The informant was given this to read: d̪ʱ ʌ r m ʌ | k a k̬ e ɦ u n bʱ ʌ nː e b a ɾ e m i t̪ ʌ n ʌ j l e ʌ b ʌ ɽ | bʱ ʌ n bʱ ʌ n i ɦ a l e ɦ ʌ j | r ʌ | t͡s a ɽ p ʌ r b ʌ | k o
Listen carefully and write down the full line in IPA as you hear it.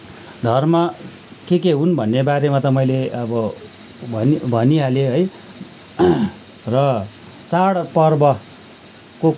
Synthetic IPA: d̪ʱ ʌ r m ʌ | k e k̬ e ɦ u n bʱ ʌ nː e b a ɾ e m a t̪ ʌ m ʌ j l e ʌ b ʌ | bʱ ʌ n bʱ ʌ n i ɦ a l e ɦ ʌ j | r ʌ | t͡s a ɽ p ʌ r b ʌ | k o